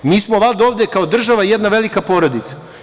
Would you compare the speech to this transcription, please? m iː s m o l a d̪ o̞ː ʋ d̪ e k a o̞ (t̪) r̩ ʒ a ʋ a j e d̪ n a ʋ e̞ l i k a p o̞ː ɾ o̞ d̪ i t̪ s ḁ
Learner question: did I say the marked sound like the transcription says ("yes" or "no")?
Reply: no